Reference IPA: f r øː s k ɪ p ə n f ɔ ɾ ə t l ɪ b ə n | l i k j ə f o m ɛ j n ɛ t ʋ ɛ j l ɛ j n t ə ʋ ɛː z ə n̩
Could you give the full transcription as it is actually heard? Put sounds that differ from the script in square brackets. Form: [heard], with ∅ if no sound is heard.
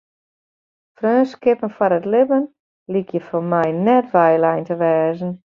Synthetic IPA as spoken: f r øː s k ɪ p ə n f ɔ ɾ ə t l ɪ b ə n | l i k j ə f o m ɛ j n ɛ t ʋ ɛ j l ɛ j n t ə ʋ ɛː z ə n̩